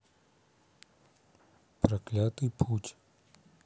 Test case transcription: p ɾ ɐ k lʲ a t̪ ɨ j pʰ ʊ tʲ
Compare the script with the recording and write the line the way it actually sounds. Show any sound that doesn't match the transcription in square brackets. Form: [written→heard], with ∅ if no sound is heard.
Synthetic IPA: p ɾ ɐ k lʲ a t̪ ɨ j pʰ [ʊ→u] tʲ